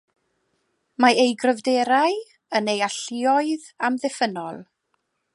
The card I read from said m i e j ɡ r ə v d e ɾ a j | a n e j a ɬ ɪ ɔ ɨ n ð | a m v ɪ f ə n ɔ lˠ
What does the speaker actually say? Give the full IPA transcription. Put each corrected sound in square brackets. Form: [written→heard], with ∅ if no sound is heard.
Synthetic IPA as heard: m [i→a] e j ɡ r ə v d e ɾ a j | [a→ə] n e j a ɬ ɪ ɔ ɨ [n→∅] ð | a m [v→ð] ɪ f ə n ɔ lˠ